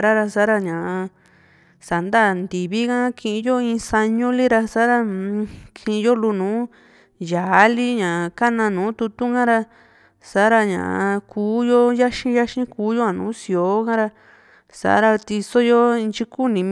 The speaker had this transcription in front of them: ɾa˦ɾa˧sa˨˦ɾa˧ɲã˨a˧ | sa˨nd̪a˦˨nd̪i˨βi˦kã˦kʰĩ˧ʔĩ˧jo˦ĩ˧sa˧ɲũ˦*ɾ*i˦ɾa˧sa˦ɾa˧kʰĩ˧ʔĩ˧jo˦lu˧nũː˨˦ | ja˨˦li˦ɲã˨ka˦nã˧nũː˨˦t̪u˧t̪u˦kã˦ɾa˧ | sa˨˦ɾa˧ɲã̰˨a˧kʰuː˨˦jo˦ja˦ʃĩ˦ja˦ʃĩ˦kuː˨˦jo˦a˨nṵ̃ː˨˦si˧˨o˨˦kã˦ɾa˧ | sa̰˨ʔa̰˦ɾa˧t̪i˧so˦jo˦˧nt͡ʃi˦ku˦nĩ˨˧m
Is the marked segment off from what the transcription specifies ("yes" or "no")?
yes